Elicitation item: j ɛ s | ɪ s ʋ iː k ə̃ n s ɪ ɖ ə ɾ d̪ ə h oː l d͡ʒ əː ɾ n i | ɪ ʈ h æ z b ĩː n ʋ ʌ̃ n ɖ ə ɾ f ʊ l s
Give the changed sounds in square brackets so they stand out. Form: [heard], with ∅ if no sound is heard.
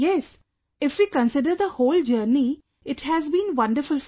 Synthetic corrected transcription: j ɛ s | ɪ [f] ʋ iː k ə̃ n s ɪ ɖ ə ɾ d̪ ə h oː l d͡ʒ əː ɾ n i | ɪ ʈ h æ z b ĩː n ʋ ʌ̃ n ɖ ə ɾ f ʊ l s